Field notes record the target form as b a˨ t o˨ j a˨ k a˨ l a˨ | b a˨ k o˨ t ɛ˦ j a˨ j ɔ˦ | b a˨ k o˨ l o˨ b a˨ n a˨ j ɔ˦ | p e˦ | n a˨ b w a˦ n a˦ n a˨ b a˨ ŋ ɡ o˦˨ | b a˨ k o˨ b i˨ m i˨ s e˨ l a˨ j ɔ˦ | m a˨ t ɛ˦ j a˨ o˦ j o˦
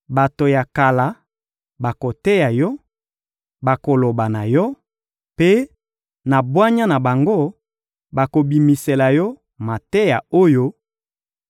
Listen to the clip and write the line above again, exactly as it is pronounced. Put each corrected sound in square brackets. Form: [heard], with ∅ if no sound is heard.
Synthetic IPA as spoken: b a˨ t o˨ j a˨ k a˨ l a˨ | b a˨ k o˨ t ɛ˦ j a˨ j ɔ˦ | b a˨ k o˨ l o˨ b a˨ n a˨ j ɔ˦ | p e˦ | n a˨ b w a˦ [ɲ] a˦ n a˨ b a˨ ŋ ɡ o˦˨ | b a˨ k o˨ b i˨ m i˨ s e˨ l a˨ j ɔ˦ | m a˨ t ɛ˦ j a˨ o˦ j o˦